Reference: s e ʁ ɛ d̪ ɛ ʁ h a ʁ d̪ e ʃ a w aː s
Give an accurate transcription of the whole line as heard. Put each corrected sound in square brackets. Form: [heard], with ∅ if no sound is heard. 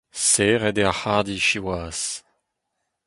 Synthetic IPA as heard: s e ʁ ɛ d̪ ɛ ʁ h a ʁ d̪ [i] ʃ [i] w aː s